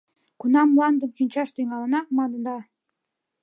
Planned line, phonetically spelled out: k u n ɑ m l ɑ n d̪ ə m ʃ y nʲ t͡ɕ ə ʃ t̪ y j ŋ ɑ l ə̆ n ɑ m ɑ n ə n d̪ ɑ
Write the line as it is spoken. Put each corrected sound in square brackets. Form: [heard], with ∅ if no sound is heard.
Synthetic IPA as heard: k u n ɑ m l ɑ n d̪ ə m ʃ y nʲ t͡ɕ [ɑ] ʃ t̪ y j ŋ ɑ l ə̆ n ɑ m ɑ n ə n d̪ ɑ